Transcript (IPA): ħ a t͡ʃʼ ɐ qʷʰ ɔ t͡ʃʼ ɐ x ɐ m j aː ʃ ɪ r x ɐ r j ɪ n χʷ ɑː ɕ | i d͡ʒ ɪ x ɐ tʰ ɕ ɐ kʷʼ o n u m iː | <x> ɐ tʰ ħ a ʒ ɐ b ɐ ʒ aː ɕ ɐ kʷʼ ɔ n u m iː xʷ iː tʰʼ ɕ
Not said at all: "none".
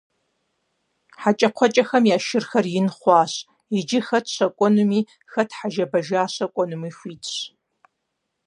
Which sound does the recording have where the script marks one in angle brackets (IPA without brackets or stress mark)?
x